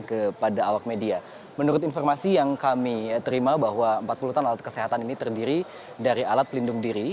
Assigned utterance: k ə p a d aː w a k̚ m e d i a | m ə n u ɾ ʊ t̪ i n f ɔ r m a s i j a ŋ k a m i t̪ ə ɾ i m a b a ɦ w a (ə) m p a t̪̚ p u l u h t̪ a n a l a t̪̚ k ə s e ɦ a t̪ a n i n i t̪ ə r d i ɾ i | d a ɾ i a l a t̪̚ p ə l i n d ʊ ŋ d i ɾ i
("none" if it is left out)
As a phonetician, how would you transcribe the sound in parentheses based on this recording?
ə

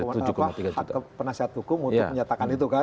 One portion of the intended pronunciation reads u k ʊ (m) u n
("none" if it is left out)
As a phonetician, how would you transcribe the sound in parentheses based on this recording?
m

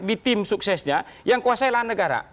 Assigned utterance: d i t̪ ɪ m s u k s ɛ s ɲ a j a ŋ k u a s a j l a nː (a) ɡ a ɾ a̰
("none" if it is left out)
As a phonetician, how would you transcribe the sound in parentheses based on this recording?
ə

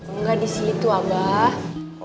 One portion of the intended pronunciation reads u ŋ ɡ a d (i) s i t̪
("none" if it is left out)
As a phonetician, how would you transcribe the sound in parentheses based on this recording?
i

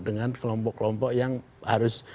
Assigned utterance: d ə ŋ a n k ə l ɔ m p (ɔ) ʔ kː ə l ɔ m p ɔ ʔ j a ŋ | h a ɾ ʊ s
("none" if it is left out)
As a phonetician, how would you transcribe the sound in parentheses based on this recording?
ɔ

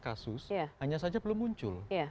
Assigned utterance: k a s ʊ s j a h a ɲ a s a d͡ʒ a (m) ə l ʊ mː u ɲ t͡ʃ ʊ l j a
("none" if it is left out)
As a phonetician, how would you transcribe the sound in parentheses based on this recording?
b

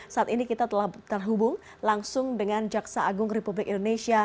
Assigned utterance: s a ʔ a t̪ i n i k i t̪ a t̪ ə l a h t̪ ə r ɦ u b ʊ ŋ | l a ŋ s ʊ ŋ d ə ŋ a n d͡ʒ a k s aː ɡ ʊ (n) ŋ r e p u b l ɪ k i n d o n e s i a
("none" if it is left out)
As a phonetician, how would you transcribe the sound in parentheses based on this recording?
none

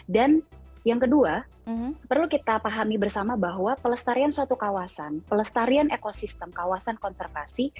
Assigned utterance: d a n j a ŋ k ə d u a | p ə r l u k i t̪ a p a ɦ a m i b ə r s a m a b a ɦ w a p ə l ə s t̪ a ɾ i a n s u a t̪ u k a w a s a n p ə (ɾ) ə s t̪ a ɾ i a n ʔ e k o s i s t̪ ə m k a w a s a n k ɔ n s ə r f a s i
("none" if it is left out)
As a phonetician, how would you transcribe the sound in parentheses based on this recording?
l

